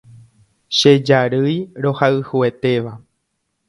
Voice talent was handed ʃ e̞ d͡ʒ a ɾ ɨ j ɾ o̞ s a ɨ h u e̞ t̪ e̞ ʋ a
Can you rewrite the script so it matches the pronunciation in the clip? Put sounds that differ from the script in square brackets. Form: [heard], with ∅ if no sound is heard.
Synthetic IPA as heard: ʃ e̞ d͡ʒ a ɾ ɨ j ɾ o̞ [h] a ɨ h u e̞ t̪ e̞ ʋ a